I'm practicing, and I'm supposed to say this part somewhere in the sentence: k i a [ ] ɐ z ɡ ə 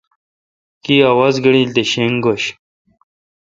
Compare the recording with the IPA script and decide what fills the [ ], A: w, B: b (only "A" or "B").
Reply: A